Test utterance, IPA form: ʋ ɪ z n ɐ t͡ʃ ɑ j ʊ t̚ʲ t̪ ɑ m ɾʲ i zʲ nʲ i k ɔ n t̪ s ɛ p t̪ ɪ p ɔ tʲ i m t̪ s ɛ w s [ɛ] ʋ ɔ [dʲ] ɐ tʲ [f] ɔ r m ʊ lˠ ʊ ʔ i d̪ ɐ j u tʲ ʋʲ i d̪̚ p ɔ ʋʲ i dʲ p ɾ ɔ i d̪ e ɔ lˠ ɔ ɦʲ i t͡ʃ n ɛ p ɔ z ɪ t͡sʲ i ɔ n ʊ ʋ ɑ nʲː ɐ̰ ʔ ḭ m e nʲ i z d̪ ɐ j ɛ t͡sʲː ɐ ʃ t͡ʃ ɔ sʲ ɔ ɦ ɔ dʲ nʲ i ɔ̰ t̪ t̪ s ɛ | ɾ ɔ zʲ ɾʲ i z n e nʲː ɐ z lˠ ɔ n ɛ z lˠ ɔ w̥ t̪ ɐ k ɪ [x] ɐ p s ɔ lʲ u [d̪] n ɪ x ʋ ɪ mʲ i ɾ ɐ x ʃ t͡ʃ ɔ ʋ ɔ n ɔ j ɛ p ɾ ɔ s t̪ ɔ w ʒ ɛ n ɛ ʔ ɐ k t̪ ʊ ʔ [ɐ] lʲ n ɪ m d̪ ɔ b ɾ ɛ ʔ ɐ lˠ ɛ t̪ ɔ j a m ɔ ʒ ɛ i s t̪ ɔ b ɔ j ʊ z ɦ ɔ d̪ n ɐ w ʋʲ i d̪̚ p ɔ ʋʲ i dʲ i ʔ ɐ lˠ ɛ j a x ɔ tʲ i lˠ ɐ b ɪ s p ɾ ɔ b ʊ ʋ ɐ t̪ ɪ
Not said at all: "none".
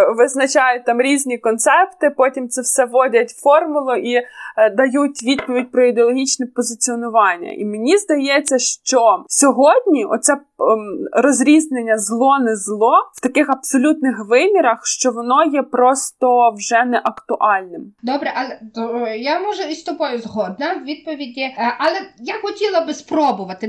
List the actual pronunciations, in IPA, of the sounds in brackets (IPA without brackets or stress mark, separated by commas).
ɛ, dʲ, f, x, t̪, ɑ